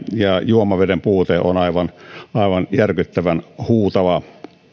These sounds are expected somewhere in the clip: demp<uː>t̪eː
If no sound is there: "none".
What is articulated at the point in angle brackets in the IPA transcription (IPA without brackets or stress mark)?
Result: uː